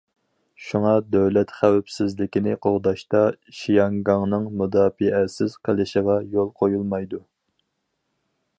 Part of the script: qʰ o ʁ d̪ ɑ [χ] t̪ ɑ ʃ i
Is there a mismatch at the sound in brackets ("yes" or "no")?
yes